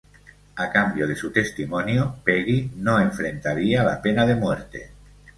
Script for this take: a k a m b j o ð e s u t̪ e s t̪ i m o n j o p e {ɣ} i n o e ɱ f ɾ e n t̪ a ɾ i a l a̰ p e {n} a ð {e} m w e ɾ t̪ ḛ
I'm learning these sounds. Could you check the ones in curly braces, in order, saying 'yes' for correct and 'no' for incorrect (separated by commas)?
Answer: yes, yes, yes